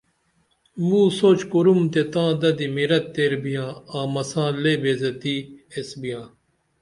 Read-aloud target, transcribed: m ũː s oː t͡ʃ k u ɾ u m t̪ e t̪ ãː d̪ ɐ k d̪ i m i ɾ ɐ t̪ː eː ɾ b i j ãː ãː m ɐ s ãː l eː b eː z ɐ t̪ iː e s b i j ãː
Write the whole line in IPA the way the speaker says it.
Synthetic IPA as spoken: m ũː s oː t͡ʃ k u ɾ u m t̪ e t̪ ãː d̪ ɐ d̪ i m i ɾ ɐ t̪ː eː ɾ b i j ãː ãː m ɐ s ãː l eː b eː z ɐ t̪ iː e s b i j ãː